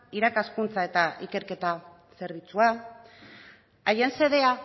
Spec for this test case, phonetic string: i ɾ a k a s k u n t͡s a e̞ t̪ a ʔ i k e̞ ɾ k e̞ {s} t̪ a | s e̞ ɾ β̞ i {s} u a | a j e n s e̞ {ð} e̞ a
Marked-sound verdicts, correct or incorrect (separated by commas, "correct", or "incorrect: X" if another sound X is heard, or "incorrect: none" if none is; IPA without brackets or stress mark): incorrect: none, incorrect: t͡s, correct